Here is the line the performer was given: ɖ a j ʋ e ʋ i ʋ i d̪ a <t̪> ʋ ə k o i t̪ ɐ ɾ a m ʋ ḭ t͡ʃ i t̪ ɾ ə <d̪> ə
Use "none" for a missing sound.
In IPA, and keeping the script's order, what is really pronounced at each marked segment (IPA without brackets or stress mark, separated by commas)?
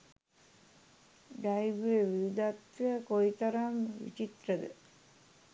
t̪, d̪